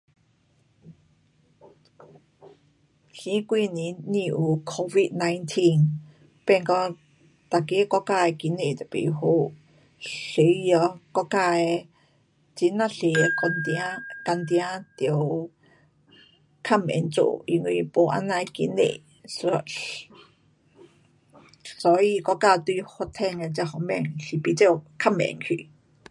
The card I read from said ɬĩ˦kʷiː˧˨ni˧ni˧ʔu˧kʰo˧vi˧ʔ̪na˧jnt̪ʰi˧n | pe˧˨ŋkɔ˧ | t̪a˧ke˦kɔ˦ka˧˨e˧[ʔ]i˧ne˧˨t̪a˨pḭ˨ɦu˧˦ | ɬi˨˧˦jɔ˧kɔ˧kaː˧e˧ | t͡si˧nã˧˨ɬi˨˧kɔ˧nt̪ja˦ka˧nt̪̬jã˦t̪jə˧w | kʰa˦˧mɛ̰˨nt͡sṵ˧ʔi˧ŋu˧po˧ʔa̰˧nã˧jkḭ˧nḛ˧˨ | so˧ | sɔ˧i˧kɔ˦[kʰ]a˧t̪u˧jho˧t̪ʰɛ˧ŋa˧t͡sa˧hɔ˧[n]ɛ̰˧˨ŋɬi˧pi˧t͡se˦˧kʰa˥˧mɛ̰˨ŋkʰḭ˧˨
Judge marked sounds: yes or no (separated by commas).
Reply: no, no, no